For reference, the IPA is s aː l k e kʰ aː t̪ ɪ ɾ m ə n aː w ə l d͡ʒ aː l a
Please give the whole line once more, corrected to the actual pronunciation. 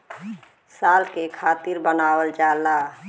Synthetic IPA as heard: s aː l k e kʰ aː t̪ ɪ ɾ b ə n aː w ə l d͡ʒ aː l a